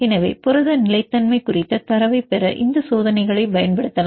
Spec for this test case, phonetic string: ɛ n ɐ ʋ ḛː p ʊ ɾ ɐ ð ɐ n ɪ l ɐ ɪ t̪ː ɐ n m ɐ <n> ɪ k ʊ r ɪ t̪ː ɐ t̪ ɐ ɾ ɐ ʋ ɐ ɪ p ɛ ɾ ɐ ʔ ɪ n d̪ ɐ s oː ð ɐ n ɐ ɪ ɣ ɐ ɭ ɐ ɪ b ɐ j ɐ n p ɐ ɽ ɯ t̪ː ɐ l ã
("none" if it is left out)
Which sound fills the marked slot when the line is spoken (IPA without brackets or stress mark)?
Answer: none